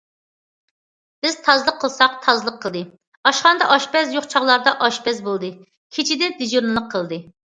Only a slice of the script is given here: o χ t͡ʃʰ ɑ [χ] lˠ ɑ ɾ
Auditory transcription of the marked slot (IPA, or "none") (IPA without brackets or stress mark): ʁ